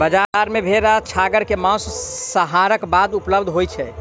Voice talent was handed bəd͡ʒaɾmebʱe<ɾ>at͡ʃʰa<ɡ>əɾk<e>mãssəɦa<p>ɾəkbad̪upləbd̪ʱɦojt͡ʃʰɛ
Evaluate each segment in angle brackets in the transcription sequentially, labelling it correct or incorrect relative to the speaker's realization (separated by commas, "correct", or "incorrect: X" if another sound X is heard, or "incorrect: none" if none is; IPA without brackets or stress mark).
correct, correct, correct, incorrect: none